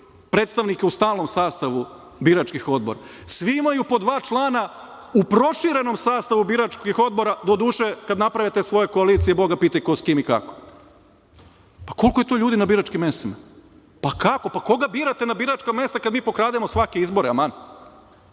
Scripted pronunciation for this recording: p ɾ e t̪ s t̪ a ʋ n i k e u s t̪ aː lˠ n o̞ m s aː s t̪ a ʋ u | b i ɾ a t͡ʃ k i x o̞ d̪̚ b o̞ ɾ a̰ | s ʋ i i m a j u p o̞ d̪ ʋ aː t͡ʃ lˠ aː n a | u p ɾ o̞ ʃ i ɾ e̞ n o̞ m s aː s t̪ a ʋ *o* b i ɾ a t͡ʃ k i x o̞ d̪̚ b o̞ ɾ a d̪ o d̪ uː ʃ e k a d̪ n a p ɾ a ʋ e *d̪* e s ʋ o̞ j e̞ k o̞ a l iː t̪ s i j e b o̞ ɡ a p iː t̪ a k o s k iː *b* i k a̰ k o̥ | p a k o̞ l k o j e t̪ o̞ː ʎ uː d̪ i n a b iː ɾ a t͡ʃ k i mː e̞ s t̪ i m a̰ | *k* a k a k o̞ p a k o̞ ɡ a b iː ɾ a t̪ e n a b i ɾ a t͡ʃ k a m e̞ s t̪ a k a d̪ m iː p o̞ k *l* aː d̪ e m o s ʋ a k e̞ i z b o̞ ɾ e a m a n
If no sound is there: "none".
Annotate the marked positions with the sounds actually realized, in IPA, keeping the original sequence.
u, t̪, m, p, ɾ

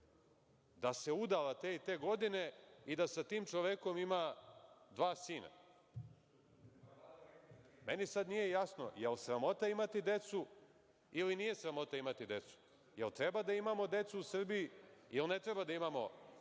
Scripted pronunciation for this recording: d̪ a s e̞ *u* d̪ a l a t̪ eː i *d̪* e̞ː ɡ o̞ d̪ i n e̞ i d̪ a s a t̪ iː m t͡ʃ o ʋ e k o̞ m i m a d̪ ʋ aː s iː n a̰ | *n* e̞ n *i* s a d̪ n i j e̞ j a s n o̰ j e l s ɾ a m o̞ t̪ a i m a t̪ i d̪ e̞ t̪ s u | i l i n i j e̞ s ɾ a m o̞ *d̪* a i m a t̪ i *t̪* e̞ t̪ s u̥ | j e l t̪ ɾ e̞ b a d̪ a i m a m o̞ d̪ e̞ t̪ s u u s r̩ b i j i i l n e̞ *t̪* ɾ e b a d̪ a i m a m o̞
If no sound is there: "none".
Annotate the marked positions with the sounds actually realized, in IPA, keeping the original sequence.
u, t̪, m, i, t̪, d̪, t̪

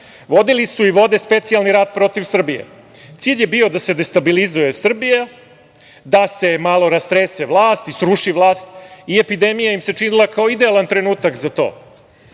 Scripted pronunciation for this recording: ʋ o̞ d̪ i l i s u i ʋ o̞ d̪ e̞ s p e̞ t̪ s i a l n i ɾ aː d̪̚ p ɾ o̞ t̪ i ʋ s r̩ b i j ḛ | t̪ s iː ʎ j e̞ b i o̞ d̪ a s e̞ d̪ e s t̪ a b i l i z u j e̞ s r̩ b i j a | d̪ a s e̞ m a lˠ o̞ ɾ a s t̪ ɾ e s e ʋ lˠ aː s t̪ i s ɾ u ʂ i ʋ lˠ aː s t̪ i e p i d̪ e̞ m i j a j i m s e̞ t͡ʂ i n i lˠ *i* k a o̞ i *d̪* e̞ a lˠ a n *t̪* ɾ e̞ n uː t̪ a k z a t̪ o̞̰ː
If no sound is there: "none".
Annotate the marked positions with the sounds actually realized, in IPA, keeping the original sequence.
a, d̪, t̪

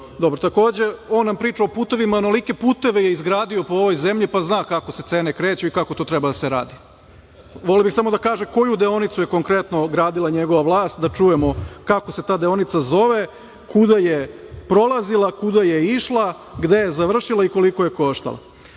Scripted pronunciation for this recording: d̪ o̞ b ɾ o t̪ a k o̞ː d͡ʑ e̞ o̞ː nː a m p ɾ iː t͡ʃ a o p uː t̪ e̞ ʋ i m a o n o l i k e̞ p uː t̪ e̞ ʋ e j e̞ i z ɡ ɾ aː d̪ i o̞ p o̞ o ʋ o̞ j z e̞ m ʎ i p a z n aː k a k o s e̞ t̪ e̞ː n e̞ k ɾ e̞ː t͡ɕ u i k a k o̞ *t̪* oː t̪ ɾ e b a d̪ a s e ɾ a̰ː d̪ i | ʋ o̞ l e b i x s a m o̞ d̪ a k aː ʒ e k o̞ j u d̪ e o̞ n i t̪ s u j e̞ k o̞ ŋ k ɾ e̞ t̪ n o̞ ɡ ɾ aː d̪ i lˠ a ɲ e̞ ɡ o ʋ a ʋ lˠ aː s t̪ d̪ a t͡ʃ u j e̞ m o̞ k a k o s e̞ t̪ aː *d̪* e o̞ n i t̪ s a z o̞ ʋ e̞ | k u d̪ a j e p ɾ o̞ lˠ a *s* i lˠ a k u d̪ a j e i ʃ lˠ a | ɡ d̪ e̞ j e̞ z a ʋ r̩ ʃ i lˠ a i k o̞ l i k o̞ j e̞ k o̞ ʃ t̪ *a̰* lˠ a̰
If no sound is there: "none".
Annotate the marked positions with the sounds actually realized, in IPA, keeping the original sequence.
t̪, d̪, z, a̰

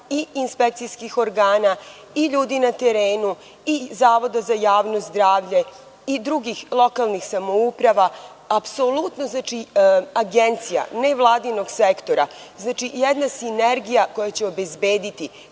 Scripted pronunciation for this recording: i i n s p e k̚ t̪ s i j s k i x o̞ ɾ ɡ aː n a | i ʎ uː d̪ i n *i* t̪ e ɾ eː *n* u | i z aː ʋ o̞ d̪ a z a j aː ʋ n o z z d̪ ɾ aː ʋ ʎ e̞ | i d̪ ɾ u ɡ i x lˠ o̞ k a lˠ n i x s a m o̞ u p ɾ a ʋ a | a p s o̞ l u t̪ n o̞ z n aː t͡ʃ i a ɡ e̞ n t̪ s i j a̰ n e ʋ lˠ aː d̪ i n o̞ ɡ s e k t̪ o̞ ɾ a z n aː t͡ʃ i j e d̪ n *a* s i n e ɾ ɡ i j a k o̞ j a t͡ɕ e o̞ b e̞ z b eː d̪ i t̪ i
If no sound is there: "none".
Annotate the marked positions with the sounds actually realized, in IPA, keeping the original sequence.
a, n, a

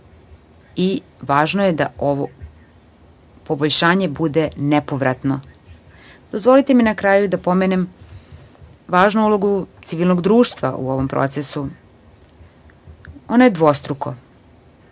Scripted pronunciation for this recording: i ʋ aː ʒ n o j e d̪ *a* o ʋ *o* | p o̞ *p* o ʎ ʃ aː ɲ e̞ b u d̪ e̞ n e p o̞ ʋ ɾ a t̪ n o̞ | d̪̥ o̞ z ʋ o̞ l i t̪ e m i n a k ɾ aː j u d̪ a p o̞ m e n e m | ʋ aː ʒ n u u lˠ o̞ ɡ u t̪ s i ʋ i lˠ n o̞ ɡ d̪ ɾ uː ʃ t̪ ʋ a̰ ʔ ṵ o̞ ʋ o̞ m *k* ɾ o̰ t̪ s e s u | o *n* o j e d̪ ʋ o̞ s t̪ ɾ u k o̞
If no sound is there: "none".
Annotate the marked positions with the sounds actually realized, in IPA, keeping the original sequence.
a, o, b, p, n

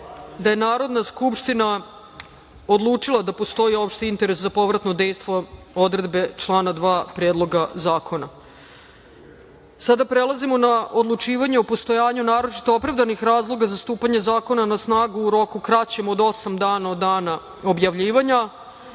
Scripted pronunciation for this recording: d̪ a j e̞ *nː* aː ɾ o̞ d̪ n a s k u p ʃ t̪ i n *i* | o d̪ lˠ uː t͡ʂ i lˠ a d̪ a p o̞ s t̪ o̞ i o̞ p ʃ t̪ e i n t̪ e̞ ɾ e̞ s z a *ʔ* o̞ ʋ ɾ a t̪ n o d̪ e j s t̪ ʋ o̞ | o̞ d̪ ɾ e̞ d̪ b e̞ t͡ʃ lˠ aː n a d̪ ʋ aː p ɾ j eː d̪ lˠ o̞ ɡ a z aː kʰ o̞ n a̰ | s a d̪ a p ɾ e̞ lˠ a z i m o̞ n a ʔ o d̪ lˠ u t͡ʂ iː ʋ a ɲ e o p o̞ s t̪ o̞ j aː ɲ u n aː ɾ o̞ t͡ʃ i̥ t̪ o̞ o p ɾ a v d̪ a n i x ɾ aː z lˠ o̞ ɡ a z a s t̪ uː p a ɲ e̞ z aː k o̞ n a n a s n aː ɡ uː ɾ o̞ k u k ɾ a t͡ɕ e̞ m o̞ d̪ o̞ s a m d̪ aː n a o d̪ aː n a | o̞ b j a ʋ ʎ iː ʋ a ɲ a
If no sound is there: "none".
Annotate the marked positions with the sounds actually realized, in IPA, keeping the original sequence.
n, a, p

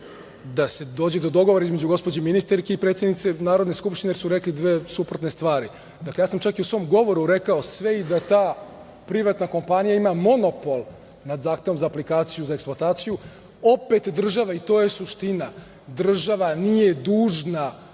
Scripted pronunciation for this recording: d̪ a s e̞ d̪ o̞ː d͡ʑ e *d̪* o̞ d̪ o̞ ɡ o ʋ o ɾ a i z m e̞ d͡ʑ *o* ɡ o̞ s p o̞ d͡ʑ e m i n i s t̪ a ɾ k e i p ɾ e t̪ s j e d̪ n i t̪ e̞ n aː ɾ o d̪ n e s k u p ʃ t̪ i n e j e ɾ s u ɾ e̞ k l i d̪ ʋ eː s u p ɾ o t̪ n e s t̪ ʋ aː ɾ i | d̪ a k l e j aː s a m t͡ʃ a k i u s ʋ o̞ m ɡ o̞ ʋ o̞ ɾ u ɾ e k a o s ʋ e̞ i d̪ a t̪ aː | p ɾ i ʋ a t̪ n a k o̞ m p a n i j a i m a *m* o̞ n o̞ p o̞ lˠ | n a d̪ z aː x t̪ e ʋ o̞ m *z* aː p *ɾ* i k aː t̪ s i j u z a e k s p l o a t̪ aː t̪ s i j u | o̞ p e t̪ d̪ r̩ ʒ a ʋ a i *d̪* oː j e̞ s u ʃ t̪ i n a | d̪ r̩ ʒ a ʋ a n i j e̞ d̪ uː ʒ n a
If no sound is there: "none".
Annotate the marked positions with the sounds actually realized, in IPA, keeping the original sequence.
d̪, u, m, z, l, t̪

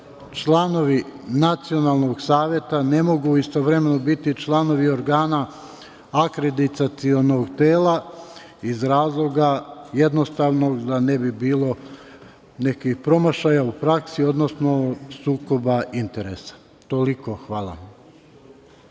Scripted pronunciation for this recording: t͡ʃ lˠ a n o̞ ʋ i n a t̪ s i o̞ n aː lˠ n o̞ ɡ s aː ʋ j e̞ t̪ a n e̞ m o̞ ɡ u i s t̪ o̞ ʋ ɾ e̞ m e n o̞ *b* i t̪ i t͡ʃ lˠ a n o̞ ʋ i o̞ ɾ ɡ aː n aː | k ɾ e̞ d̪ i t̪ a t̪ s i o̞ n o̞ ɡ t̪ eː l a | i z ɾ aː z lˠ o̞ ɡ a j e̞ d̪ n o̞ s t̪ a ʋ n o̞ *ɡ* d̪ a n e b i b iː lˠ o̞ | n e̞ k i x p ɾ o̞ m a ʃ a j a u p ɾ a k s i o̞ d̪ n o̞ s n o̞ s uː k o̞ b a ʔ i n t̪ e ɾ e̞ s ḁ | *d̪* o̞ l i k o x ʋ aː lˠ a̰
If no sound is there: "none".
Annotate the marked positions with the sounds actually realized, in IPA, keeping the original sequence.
b, ɡ, t̪

